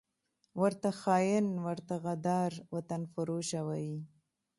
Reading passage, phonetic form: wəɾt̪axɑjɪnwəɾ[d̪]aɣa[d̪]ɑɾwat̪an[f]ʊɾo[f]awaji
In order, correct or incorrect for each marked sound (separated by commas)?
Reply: incorrect, correct, correct, incorrect